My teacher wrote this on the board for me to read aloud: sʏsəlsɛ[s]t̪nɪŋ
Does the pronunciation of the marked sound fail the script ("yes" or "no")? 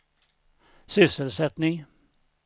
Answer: yes